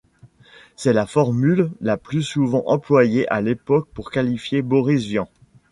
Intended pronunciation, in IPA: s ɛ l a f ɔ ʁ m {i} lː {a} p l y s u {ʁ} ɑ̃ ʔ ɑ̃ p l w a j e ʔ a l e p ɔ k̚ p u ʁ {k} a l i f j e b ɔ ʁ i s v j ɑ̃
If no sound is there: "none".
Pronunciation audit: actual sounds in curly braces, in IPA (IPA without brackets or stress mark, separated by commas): y, a, v, k